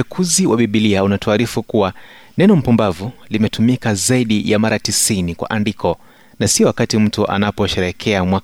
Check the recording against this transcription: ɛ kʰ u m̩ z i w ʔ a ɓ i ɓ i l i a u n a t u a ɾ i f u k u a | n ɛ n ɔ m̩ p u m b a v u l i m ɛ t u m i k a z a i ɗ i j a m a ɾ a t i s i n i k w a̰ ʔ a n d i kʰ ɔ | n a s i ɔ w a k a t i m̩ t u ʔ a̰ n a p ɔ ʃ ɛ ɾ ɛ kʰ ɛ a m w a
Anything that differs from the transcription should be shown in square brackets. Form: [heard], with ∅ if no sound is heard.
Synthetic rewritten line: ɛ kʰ u [∅] z i w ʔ a ɓ i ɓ i l i a u n a t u a ɾ i f u k u a | n ɛ n ɔ m̩ p u m b a v u l i m ɛ t u m i k a z a i ɗ i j a m a ɾ a t i s i n i k w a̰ ʔ a n d i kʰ ɔ | n a s i ɔ w a k a t i m̩ t u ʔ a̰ n a p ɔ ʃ ɛ ɾ ɛ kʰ ɛ a m w a